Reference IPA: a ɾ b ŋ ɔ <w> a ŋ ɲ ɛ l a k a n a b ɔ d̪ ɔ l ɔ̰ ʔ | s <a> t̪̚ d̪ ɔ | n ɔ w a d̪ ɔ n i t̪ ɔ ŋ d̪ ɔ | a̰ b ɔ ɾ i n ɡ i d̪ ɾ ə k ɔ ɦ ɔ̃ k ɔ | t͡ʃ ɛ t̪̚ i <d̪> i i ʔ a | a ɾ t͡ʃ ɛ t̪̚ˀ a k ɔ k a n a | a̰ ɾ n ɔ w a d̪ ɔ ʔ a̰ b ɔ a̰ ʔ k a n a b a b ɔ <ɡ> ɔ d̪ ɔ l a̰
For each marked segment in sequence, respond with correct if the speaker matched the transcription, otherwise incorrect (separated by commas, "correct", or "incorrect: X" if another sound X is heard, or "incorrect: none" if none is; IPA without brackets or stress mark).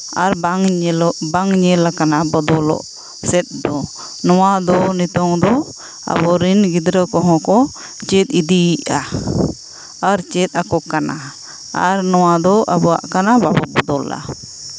incorrect: b, incorrect: ɛ, correct, incorrect: b